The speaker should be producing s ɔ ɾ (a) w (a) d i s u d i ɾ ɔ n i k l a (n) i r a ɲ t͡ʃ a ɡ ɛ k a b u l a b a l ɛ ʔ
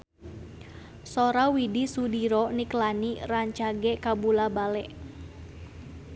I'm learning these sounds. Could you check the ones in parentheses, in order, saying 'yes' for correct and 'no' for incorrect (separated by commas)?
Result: yes, no, yes